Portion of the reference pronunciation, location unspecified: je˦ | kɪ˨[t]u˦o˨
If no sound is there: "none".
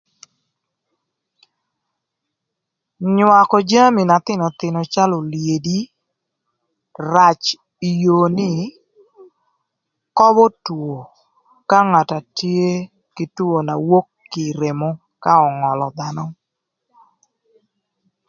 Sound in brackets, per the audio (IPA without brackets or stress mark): t